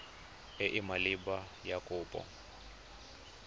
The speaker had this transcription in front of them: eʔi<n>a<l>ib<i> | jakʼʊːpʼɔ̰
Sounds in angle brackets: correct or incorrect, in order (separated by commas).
incorrect, correct, incorrect